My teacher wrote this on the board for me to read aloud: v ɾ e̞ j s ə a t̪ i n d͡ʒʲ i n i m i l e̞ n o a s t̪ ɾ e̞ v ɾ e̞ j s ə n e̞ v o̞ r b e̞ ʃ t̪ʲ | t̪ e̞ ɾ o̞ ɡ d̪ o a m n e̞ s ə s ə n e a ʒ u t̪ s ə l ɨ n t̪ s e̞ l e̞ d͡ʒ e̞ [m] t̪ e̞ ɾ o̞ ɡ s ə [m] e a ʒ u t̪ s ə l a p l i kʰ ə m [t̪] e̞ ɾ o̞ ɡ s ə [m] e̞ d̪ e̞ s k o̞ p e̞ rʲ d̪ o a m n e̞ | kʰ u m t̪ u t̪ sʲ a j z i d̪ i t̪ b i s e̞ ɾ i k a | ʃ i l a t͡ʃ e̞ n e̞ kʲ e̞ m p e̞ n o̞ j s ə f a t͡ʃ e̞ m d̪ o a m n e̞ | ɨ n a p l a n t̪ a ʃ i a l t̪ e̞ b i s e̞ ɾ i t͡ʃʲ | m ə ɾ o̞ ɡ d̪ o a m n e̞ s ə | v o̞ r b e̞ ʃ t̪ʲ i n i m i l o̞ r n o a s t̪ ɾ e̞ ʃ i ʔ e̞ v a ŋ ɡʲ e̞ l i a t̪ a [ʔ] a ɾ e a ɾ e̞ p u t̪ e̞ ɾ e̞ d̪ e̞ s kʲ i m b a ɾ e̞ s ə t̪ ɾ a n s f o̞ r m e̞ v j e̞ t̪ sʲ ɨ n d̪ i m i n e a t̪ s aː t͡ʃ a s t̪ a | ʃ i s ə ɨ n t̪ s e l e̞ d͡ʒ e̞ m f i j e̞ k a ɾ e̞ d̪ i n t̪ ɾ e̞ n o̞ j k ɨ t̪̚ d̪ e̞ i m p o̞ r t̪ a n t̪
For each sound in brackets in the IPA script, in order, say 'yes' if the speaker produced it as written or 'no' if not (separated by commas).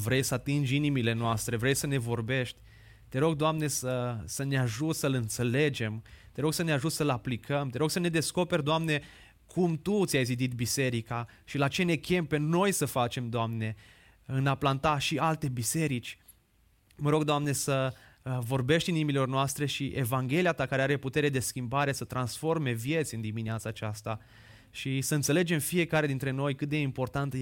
yes, no, yes, no, no